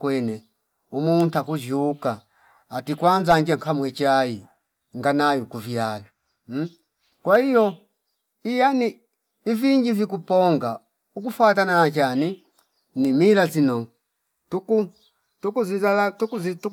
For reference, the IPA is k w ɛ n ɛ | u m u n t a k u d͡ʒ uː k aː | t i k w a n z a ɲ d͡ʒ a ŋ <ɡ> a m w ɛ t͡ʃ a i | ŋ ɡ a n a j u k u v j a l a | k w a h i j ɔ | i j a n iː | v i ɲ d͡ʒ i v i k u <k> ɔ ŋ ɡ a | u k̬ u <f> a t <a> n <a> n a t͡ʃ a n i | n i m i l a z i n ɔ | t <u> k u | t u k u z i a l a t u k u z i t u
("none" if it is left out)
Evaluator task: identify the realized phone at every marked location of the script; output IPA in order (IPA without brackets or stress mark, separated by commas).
k, p, f, a, a, u